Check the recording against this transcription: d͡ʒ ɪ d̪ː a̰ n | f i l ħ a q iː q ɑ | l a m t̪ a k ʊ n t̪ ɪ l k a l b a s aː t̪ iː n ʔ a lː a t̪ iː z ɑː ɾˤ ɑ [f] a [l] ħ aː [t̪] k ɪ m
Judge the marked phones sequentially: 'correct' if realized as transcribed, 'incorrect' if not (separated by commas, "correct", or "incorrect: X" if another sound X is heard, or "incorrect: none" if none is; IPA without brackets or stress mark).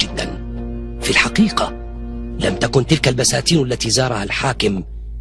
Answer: incorrect: h, correct, incorrect: none